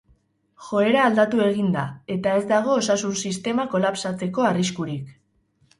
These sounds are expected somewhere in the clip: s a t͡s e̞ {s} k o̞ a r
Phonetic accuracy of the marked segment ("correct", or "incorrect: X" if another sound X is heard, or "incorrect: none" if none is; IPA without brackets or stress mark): incorrect: none